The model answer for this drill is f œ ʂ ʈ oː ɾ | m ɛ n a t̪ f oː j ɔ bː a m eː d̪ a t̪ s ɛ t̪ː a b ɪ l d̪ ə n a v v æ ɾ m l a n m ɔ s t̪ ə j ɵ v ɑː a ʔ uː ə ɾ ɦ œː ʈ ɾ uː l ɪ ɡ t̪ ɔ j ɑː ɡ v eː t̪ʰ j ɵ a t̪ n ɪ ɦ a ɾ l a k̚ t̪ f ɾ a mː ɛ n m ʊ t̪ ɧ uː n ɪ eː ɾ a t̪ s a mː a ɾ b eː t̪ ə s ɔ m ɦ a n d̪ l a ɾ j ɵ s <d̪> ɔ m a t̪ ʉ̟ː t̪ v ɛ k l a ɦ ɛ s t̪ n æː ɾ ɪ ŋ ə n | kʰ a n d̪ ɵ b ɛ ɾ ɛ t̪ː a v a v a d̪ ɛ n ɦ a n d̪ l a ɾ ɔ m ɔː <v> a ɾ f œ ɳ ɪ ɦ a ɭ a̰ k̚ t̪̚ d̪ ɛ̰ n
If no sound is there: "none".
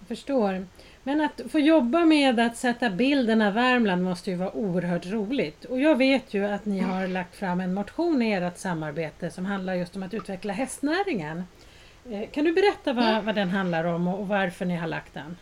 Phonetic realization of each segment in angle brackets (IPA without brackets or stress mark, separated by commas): t̪, v